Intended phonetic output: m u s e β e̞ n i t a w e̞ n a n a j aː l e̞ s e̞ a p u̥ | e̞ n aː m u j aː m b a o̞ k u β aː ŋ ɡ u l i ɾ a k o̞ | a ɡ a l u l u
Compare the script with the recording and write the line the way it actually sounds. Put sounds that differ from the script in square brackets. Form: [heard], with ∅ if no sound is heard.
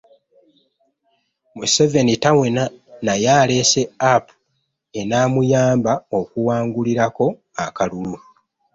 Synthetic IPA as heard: m u s e [v] e̞ n i t a w e̞ n a n a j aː l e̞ s e̞ a p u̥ | e̞ n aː m u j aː m b a o̞ k u [w] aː ŋ ɡ u l i ɾ a k o̞ | a [k] a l u l u